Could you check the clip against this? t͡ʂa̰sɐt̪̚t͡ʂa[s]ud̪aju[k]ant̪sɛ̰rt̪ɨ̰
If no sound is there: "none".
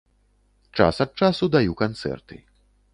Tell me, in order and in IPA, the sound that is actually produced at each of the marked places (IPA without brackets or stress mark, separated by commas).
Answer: s, k